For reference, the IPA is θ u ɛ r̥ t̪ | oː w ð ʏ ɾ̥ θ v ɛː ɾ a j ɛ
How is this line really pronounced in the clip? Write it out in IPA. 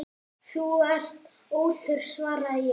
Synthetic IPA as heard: θ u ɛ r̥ t̪ | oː w θ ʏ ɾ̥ s v aː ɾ a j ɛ